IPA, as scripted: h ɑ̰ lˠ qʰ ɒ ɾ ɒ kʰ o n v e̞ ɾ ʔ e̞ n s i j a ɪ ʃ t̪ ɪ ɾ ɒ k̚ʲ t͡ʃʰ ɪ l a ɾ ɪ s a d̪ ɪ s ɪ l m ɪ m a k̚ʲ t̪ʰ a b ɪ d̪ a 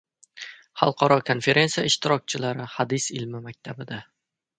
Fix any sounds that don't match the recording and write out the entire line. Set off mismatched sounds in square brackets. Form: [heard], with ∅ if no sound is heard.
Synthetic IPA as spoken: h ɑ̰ lˠ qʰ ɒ ɾ ɒ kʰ o n [f] e̞ ɾ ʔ e̞ n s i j a ɪ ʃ t̪ ɪ ɾ ɒ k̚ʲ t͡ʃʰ ɪ l a ɾ ɪ [h] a d̪ ɪ s ɪ l m ɪ m a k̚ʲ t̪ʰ a b ɪ d̪ a